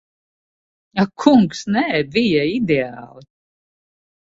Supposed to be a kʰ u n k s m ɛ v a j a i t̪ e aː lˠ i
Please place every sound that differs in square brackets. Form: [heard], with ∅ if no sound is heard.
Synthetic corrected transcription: a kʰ u [ŋ] k s [n] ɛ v [i] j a i [d̪] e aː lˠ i